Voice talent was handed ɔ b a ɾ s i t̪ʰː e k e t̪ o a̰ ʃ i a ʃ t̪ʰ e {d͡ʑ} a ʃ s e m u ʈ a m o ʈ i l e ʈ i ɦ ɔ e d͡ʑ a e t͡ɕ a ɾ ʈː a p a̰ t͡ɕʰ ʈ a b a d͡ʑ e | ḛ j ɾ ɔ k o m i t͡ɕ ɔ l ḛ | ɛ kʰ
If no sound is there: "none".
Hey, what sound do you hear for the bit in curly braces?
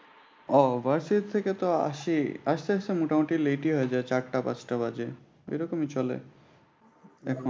none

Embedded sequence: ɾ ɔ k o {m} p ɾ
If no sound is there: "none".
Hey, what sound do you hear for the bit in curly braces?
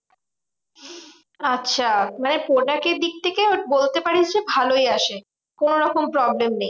m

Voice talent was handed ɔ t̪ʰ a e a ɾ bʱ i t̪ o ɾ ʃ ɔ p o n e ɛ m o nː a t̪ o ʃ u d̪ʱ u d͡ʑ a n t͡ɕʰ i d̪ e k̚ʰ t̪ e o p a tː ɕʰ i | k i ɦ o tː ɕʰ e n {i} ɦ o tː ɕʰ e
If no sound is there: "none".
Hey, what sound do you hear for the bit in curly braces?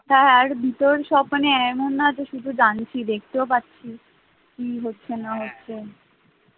a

